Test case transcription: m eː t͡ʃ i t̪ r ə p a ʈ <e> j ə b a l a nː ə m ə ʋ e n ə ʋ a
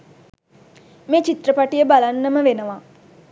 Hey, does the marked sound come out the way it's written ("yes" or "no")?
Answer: no